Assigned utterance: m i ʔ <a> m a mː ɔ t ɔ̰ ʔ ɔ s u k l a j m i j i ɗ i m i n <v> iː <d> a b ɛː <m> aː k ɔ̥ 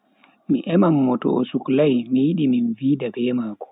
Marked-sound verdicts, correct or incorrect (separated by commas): incorrect, correct, correct, correct